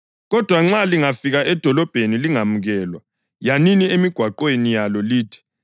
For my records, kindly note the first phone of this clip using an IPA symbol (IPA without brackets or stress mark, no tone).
ɣ